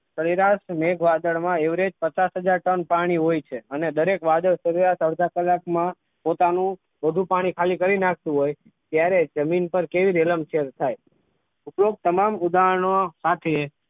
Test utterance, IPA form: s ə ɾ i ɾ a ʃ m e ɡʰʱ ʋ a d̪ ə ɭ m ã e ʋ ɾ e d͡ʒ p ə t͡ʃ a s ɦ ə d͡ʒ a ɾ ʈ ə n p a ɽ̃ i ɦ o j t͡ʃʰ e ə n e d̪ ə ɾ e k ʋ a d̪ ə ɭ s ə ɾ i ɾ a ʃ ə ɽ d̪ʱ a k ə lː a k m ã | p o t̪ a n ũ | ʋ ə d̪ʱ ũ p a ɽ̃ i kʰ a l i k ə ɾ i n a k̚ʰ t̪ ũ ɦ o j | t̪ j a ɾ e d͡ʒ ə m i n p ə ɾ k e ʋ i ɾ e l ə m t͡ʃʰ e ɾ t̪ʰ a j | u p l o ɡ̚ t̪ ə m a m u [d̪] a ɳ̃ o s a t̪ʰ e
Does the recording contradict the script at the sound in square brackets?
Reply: no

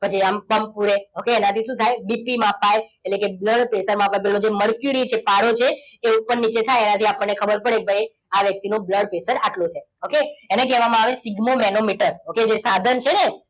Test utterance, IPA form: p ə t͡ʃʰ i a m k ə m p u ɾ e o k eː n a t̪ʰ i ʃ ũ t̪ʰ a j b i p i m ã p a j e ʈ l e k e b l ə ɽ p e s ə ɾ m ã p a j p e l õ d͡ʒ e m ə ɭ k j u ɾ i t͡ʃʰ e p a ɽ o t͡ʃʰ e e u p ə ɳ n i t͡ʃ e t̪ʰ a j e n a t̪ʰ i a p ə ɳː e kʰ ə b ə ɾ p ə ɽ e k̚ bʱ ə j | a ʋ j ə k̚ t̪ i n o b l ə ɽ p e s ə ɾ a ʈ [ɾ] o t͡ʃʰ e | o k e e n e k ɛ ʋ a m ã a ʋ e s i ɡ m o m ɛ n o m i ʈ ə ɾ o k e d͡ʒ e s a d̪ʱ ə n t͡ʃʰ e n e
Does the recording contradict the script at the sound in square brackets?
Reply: yes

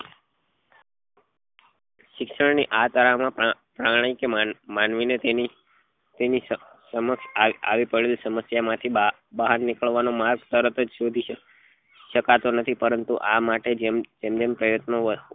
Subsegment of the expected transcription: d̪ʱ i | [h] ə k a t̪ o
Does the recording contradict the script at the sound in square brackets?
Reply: yes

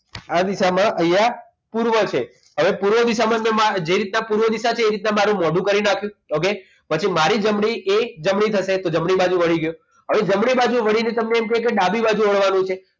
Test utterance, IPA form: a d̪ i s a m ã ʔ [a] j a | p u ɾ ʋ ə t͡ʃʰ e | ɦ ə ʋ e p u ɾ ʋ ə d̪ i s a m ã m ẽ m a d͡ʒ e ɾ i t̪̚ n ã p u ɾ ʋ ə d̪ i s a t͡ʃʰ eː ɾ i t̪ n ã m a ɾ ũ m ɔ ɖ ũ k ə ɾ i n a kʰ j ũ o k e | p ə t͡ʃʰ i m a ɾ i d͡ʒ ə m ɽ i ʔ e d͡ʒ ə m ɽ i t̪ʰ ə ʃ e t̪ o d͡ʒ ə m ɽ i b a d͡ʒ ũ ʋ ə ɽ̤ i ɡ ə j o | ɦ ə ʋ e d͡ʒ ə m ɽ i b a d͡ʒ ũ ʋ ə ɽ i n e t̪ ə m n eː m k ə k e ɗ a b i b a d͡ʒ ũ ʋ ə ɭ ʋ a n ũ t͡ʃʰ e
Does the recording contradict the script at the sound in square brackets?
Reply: yes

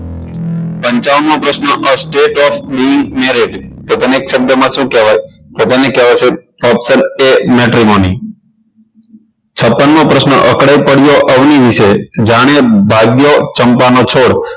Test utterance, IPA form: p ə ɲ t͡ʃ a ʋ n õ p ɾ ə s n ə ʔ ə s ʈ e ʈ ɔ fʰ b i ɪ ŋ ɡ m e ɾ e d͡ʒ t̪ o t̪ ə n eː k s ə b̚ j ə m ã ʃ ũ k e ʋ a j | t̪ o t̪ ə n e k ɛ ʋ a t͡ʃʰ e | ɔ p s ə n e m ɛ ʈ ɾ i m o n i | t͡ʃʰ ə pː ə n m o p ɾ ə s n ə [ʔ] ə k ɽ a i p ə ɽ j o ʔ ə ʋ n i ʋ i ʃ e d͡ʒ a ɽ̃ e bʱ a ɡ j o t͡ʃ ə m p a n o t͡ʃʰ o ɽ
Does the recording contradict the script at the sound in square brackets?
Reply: no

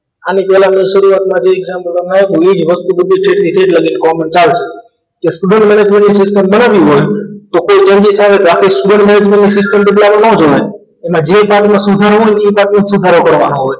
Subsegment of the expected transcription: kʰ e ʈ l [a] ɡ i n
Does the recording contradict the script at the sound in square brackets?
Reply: yes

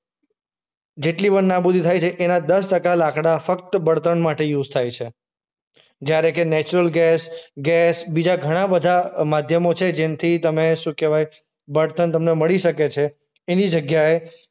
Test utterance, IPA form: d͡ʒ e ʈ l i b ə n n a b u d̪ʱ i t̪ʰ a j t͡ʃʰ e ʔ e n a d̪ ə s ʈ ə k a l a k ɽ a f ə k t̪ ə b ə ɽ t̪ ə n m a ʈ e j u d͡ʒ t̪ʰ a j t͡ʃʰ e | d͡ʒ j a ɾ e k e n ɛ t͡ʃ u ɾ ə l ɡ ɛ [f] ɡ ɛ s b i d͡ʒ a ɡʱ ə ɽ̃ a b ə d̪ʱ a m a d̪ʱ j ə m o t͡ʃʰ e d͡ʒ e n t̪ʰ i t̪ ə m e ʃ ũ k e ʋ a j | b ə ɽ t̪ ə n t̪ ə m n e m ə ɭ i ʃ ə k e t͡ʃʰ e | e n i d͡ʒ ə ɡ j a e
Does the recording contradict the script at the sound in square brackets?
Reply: yes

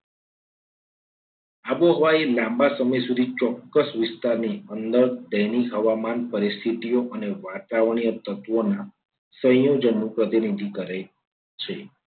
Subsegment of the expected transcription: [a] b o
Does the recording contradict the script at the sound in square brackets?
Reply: no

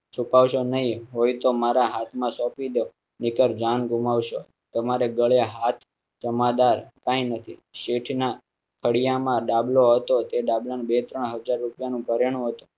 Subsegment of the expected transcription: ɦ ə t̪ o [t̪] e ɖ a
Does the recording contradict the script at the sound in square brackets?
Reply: no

